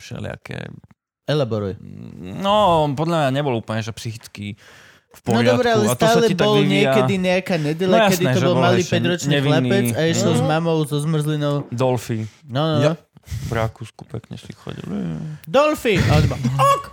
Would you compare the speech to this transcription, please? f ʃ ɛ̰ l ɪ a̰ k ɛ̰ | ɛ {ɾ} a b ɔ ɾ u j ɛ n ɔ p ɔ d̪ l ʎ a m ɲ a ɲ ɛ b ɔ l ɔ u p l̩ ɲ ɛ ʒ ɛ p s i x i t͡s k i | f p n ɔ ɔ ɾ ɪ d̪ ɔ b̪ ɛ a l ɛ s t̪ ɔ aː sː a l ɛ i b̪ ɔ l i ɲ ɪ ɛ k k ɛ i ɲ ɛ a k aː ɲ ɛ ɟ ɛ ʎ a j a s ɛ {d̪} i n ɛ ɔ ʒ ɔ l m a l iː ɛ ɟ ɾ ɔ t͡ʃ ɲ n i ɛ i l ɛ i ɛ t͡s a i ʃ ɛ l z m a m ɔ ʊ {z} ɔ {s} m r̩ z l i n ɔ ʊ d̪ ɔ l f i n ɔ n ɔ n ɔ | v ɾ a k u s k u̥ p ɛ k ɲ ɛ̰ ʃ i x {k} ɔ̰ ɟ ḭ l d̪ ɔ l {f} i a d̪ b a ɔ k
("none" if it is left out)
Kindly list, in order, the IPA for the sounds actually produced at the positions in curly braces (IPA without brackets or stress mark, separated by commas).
l, d̪, z, z, x, f